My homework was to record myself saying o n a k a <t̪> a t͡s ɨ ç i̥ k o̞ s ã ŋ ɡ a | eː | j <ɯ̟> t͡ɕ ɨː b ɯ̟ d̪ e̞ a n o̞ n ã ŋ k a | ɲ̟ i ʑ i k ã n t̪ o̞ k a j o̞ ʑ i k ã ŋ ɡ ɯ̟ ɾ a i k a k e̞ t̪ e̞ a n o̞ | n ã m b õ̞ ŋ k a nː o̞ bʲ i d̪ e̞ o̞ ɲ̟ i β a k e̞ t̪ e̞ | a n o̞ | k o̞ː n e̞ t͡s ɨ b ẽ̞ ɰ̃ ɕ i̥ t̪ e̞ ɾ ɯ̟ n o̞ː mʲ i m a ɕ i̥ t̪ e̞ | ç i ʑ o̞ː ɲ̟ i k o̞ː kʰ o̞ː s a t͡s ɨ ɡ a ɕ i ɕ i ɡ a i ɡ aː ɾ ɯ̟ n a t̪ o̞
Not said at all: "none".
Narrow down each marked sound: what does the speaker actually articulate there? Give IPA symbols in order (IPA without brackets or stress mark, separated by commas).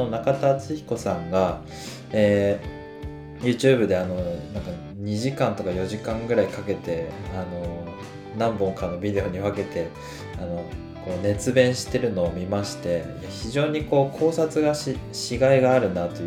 t̪, ɯ̟ː